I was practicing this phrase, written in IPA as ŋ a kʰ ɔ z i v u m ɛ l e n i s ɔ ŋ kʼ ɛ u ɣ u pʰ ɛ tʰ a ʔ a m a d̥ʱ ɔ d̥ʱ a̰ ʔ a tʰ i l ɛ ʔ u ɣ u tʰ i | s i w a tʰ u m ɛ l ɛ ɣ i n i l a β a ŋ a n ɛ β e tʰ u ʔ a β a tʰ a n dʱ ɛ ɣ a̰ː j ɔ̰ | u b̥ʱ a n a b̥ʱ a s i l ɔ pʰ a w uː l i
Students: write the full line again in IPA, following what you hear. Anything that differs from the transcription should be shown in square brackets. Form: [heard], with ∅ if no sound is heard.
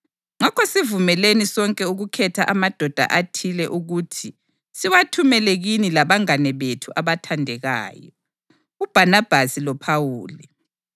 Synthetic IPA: ŋ a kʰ ɔ [s] i v u m ɛ l e n i s ɔ ŋ kʼ ɛ u ɣ u [kʰ] ɛ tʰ a ʔ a m a d̥ʱ ɔ d̥ʱ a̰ ʔ a tʰ i l ɛ ʔ u ɣ u tʰ i | s i w a tʰ u m ɛ l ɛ ɣ i n i l a β a ŋ a n ɛ β e tʰ u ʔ a β a tʰ a n dʱ ɛ ɣ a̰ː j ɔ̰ | u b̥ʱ a n a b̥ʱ a s i l ɔ pʰ a w uː l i